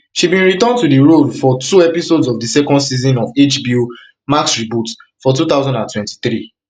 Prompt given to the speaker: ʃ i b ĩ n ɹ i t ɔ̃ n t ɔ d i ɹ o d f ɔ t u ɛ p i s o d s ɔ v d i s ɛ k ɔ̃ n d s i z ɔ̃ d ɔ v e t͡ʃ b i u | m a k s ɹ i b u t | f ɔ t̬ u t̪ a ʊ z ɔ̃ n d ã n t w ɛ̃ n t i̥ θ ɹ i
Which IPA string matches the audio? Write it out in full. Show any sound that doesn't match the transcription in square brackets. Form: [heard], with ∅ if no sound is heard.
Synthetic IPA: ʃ i b ĩ n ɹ i t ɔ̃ n t [u] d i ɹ o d f ɔ t u ɛ p i s o d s ɔ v d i s ɛ k ɔ̃ n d s i z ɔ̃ [n] ɔ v e t͡ʃ b i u | m a k s ɹ i b u t | f ɔ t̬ u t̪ a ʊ z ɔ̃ n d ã n t w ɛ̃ n t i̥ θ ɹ i